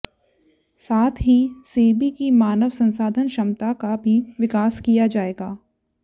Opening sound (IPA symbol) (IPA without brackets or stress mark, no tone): s